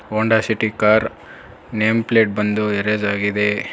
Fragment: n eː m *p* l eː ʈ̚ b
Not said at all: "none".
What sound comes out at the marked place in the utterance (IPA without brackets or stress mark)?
p